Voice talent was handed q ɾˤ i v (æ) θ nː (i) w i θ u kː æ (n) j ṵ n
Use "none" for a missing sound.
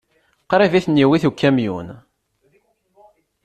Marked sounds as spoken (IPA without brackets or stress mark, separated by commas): i, i, m